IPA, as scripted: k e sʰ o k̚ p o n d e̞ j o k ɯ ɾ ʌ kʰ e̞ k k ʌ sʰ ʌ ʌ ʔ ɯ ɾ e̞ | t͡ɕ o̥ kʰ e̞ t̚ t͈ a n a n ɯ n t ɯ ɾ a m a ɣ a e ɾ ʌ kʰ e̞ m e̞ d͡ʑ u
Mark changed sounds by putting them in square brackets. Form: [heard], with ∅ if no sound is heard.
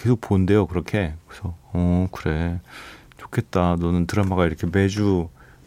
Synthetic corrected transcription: k e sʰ o k̚ p o n d e̞ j o k ɯ ɾ ʌ kʰ e̞ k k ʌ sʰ ʌ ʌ [k] ɯ ɾ e̞ | t͡ɕ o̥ kʰ e̞ t̚ t͈ a n [ʌ] n ɯ n t ɯ ɾ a m a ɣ a [i] ɾ ʌ kʰ e̞ m e̞ d͡ʑ u